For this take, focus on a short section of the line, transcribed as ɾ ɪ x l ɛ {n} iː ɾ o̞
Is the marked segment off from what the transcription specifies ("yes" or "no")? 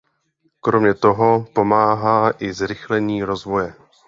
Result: yes